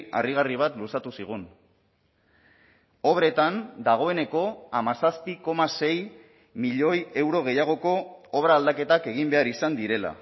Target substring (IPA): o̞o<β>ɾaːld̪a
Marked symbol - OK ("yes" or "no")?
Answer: yes